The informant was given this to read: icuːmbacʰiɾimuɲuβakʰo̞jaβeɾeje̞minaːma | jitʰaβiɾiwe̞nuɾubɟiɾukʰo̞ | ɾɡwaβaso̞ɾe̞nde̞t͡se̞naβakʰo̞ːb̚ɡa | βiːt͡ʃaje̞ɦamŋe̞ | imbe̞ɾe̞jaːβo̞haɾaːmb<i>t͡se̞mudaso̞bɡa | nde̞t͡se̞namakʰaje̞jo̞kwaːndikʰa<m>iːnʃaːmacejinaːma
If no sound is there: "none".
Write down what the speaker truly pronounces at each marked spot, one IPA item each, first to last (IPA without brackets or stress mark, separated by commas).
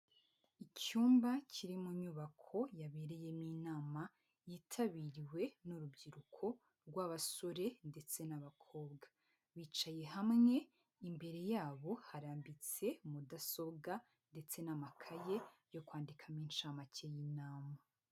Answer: i, m